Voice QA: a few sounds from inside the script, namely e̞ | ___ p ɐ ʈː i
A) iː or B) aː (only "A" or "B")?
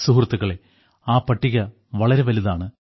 B